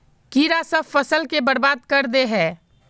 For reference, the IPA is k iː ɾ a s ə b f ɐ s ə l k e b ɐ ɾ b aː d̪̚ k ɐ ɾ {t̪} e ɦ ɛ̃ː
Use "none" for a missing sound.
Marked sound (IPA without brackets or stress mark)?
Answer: d̪